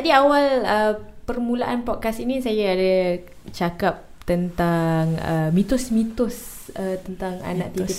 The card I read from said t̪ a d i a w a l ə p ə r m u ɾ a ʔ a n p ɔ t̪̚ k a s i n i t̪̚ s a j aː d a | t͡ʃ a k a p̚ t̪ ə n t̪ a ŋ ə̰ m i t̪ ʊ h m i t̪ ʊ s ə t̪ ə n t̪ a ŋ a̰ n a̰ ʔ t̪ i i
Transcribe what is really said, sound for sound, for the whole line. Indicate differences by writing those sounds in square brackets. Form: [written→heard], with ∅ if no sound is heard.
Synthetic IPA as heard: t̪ a d i a w a l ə p ə r m u [ɾ→l] a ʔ a n p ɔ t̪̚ k a s i n i [t̪̚→∅] s a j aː d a | t͡ʃ a k a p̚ t̪ ə n t̪ a ŋ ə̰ m i t̪ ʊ [h→s] m i t̪ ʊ s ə t̪ ə n t̪ a ŋ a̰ n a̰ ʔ t̪ i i